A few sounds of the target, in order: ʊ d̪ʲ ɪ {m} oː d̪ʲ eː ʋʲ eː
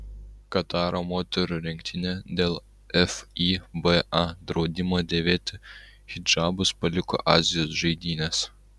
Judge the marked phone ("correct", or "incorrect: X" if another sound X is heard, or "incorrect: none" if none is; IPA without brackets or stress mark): correct